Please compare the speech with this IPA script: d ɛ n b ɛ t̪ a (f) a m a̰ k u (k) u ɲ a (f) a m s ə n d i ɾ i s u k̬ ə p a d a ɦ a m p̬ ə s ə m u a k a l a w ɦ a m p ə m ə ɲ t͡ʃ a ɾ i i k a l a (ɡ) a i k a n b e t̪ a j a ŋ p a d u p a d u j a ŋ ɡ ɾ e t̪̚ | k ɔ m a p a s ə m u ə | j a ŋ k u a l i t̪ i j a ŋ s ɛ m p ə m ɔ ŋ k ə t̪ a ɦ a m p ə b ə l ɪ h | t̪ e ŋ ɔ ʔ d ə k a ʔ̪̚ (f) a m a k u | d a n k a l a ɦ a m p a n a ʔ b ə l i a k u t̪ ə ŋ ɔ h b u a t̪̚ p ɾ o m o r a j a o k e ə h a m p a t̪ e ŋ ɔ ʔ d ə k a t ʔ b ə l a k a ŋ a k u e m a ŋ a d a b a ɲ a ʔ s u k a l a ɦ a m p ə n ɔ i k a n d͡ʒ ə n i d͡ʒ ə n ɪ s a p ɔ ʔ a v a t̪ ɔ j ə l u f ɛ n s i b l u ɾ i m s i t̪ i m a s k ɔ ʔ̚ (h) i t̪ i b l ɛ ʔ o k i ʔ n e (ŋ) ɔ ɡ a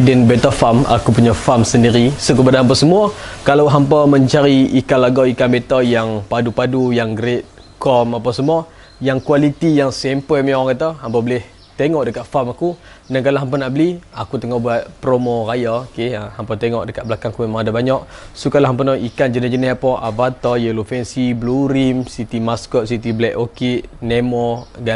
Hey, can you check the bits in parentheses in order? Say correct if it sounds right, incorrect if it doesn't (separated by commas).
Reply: correct, incorrect, correct, correct, correct, incorrect, incorrect